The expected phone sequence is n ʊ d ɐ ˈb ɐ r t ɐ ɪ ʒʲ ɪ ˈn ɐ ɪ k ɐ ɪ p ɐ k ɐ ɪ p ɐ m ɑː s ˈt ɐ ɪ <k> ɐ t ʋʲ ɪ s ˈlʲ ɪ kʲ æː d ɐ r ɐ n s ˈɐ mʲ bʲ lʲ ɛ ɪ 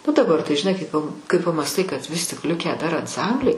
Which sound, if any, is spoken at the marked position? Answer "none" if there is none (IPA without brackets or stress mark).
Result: k